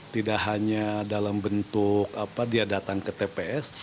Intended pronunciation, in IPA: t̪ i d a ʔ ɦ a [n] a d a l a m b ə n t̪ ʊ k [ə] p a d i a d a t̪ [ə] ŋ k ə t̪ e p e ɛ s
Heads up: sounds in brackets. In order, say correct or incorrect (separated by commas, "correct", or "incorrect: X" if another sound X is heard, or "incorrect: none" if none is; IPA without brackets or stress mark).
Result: incorrect: ɲ, incorrect: a, incorrect: a